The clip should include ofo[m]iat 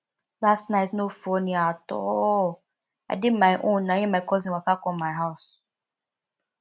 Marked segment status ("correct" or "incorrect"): incorrect